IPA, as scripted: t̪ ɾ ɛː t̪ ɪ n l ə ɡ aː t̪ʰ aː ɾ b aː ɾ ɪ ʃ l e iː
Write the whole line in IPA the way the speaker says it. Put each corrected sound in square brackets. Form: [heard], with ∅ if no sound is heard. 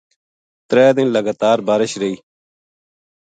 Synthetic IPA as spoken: t̪ ɾ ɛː [d̪] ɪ n l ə ɡ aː [t̪] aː ɾ b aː ɾ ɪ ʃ [ɾ] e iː